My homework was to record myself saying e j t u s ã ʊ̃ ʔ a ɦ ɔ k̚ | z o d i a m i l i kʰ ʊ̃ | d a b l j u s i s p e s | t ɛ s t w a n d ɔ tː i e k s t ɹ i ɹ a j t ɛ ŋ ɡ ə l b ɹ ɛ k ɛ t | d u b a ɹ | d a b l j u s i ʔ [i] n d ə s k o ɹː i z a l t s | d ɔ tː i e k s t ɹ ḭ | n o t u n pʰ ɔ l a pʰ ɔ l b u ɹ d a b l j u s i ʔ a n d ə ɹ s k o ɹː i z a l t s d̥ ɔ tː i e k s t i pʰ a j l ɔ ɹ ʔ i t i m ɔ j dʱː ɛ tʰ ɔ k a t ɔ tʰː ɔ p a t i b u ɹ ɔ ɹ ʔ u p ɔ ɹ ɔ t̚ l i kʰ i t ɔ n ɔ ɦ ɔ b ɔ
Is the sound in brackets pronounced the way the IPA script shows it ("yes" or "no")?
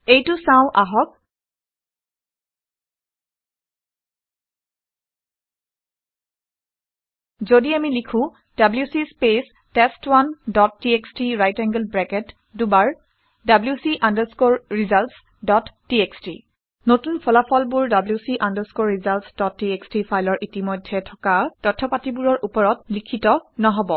no